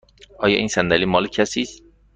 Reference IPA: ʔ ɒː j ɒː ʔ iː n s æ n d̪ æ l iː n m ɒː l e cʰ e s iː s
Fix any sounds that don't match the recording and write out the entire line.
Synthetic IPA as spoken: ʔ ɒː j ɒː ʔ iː n s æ n d̪ æ l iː m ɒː l e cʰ æ s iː s